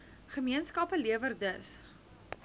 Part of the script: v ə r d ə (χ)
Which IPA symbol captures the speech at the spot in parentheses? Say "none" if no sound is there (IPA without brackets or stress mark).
s